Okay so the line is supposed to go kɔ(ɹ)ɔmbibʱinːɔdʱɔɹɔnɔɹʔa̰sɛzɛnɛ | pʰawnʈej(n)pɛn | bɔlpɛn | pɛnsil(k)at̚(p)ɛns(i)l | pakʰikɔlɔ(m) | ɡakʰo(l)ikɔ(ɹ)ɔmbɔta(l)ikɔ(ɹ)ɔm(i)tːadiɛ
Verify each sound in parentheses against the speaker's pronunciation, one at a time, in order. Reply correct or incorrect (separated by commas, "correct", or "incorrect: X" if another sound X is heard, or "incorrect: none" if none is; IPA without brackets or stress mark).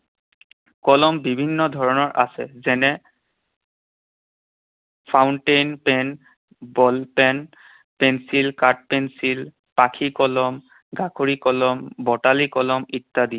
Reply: incorrect: l, correct, correct, correct, correct, correct, incorrect: ɹ, incorrect: l, correct, incorrect: l, correct